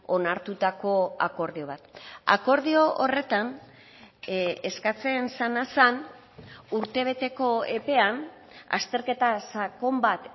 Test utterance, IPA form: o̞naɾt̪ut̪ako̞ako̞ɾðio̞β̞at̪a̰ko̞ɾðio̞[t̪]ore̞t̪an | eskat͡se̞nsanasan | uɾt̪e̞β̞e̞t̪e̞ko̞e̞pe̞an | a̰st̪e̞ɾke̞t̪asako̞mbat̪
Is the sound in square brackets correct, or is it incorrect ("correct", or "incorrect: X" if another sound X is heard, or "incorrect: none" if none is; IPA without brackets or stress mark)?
incorrect: none